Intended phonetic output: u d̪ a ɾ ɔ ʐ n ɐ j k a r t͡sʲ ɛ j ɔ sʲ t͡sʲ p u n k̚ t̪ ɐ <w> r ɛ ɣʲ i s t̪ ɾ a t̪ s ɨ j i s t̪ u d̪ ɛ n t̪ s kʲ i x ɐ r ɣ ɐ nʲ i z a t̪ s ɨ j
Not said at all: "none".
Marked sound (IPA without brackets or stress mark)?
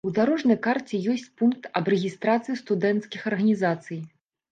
b